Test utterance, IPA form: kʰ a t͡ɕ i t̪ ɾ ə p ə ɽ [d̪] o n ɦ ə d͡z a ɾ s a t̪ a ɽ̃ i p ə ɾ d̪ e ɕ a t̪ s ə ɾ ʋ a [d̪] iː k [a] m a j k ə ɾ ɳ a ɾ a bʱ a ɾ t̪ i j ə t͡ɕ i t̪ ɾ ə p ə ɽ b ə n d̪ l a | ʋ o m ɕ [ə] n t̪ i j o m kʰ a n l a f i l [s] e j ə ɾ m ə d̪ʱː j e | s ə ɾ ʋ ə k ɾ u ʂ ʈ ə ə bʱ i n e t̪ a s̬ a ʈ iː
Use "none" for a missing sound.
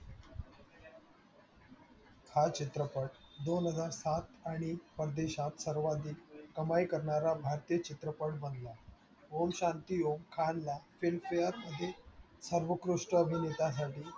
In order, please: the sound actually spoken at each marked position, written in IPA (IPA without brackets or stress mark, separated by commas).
d̪, d̪, ə, a, f